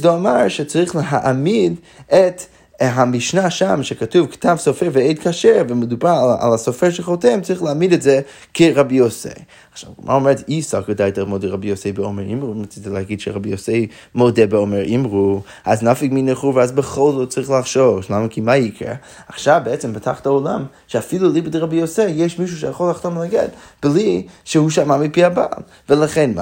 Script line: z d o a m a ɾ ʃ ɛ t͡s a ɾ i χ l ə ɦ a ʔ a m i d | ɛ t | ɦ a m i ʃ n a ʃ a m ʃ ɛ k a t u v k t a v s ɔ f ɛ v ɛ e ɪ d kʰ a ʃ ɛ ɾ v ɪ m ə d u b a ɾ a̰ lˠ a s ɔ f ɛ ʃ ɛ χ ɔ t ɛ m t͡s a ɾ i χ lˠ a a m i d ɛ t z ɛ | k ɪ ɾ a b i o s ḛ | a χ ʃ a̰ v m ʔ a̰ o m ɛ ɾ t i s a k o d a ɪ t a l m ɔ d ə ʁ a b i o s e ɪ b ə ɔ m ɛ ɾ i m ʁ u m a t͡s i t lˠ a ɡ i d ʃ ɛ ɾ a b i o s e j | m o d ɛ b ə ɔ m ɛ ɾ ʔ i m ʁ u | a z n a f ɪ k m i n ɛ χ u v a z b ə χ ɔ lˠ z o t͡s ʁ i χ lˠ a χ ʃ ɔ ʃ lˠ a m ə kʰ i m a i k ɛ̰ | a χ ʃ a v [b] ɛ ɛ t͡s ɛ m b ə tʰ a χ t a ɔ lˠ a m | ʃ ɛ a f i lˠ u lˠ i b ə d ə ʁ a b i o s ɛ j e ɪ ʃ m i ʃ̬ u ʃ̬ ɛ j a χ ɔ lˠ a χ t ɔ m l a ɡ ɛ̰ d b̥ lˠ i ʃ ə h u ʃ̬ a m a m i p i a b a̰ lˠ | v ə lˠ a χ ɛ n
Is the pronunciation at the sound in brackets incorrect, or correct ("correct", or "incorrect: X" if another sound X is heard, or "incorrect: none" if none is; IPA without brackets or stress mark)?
correct